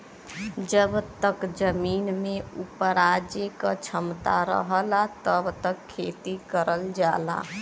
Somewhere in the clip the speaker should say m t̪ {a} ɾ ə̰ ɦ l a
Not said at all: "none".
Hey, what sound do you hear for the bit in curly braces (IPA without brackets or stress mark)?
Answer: a